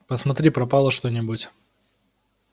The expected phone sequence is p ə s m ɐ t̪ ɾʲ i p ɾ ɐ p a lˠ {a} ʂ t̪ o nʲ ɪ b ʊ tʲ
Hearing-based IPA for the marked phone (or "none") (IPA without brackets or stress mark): ə